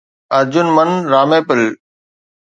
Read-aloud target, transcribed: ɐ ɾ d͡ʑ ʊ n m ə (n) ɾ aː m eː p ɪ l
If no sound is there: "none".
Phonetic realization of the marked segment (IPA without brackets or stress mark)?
n